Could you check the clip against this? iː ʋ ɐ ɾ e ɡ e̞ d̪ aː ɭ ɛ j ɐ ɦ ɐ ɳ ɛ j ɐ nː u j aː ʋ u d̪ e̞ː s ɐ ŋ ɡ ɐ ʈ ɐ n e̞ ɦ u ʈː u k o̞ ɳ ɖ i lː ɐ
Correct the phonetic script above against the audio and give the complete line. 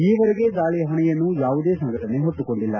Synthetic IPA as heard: iː ʋ ɐ ɾ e ɡ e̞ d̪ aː ɭ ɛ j ɐ ɦ ɐ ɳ ɛ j ɐ nː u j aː ʋ u d̪ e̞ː s ɐ ŋ ɡ ɐ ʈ ɐ n e̞ ɦ o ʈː u k o̞ ɳ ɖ i lː ɐ